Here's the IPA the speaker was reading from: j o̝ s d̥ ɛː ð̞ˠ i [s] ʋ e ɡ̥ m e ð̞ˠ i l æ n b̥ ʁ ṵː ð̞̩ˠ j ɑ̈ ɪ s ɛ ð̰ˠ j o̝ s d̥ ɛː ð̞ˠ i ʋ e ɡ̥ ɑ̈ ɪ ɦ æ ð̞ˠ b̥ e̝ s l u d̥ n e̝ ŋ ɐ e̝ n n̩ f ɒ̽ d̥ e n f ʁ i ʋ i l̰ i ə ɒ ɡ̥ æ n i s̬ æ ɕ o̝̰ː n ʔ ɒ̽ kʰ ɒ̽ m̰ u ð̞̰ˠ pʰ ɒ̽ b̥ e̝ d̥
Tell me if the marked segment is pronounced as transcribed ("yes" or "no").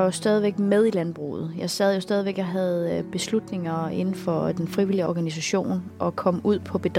no